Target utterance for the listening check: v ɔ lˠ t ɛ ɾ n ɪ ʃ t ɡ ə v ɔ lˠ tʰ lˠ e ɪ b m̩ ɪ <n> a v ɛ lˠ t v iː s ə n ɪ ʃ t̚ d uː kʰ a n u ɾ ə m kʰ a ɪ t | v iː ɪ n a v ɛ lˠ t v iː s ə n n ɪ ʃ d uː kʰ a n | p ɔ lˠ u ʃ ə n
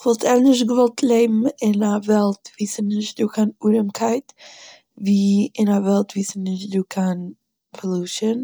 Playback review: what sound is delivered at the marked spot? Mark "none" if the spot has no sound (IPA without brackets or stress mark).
n